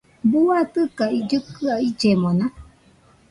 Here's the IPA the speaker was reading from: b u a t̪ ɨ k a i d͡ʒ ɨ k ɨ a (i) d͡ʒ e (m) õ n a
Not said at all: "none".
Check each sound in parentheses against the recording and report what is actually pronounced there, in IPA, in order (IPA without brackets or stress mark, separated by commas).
i, m